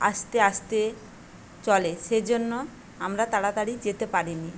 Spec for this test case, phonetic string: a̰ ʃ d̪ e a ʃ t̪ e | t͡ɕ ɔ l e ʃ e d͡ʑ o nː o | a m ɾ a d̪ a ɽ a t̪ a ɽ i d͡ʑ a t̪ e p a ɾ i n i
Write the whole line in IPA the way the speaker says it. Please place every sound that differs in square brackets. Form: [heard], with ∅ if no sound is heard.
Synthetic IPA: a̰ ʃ [t̪] e a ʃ t̪ e | t͡ɕ ɔ l e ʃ e d͡ʑ o nː o | a m ɾ a [t̪] a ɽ a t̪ a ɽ i d͡ʑ [e] t̪ e p a ɾ i n i